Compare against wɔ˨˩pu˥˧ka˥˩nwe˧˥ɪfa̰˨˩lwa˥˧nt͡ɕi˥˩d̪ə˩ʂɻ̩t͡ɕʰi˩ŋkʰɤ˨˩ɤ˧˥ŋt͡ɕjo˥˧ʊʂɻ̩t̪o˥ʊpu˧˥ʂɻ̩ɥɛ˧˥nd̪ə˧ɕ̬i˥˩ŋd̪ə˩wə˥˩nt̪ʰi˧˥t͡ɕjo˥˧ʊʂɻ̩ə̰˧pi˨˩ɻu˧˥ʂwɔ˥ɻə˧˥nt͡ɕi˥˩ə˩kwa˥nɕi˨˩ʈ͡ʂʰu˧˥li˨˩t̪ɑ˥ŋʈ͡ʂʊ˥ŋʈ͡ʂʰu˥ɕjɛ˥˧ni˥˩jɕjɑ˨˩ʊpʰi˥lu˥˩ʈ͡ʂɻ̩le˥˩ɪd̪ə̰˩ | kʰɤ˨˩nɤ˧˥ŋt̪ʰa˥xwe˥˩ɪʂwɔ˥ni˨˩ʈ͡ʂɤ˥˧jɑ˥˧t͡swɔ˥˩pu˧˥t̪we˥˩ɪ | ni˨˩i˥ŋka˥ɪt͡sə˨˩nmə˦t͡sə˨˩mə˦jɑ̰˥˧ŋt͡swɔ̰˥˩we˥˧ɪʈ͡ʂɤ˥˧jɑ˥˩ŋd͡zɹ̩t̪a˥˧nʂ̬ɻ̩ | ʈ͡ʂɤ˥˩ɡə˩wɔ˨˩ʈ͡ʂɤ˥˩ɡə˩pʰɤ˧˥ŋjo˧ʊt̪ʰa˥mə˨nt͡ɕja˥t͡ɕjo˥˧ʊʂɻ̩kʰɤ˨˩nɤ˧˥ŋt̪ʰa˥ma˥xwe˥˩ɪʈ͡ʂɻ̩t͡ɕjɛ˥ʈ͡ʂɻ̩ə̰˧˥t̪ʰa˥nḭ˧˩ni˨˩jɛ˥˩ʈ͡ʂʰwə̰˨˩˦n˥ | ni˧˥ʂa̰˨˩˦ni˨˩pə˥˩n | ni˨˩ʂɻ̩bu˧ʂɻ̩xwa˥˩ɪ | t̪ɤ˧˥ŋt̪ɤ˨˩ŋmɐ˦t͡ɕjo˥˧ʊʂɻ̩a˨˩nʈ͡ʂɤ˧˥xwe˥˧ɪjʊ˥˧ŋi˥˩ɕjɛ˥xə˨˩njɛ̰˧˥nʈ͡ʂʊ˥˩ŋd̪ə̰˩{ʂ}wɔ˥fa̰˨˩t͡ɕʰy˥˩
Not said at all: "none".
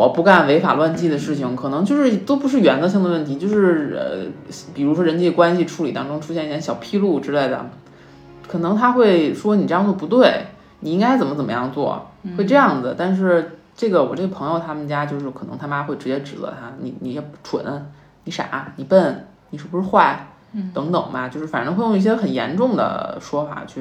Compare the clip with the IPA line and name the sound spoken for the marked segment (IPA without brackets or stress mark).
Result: ʂ